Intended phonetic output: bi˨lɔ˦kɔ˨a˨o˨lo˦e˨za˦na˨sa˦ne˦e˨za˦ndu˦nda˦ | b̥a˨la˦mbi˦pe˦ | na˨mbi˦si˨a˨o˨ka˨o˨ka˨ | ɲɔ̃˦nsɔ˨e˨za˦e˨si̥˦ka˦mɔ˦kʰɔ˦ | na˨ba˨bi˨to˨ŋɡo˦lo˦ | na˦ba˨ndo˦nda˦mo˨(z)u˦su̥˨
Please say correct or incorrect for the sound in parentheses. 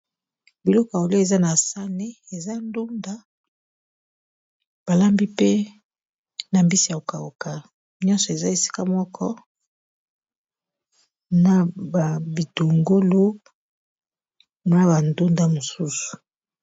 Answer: incorrect